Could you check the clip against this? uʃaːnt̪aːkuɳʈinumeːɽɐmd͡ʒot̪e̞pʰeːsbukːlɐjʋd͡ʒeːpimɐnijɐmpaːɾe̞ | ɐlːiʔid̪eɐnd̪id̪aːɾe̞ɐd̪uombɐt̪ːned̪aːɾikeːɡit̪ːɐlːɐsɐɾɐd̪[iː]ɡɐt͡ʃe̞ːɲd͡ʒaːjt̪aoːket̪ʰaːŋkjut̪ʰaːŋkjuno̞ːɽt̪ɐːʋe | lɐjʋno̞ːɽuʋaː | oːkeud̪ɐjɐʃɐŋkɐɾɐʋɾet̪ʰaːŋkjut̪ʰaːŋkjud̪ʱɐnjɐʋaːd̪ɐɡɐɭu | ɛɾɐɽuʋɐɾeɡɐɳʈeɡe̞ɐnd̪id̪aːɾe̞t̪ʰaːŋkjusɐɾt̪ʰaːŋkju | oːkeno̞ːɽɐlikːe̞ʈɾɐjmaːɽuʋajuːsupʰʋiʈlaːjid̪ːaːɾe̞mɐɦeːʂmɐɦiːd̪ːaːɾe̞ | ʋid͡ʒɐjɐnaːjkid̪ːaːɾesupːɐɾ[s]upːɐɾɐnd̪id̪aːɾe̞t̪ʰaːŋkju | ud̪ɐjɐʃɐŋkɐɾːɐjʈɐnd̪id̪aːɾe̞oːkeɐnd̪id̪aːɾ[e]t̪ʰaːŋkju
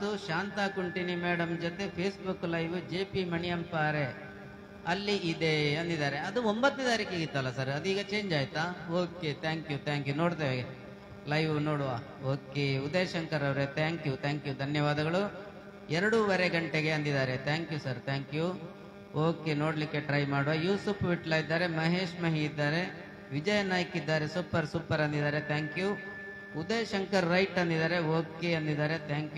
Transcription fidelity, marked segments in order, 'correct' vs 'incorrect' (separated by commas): correct, correct, correct